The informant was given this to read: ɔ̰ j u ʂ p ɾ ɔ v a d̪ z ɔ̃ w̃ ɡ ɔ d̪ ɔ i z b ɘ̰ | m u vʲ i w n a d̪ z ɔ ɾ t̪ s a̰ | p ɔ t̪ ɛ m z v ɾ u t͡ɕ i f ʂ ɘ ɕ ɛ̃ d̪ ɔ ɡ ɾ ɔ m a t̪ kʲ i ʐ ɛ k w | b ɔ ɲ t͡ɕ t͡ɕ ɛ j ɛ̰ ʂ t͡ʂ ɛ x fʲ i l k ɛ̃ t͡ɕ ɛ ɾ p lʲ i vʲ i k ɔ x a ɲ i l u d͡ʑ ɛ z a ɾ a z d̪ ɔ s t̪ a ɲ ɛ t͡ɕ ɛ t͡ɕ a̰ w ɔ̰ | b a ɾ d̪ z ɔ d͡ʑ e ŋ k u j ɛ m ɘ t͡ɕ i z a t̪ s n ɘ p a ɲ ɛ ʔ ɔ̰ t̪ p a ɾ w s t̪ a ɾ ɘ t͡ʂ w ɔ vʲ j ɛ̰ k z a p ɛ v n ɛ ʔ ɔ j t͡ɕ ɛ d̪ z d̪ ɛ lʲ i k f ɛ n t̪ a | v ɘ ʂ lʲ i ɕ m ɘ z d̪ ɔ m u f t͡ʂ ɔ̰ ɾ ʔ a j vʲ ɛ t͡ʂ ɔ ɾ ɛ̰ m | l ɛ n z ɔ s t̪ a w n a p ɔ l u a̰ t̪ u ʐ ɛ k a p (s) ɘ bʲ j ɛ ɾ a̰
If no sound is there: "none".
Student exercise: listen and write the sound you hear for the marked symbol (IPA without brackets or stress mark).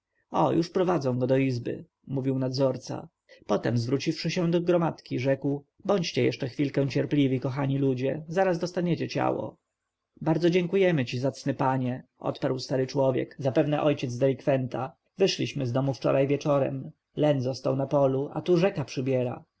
ʂ